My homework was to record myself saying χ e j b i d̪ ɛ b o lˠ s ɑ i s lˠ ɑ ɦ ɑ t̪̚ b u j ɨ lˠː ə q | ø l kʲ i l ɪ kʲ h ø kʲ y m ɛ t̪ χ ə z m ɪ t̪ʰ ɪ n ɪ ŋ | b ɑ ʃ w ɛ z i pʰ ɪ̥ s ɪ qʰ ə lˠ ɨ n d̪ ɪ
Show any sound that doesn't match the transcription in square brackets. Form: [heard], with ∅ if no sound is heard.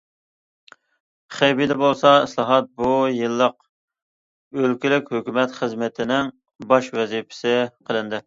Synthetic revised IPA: χ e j b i d̪ ɛ b o lˠ s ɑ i s lˠ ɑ ɦ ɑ t̪̚ b u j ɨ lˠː ə q | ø l kʲ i l ɪ kʲ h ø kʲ y m ɛ t̪ χ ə z m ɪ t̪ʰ ɪ n ɪ ŋ | b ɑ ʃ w ɛ z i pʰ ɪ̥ s ɪ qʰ ə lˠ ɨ n d̪ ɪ